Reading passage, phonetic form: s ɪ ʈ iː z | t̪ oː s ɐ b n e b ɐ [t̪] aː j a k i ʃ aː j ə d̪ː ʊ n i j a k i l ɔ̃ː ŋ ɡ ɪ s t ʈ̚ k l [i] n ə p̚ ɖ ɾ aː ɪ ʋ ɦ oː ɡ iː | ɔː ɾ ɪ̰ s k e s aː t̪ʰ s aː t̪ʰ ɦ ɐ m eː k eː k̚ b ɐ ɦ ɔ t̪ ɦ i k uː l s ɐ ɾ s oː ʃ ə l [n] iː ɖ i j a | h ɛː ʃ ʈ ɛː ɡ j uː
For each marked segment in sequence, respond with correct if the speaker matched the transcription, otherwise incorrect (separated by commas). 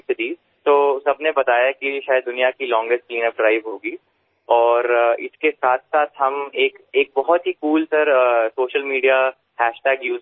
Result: correct, incorrect, incorrect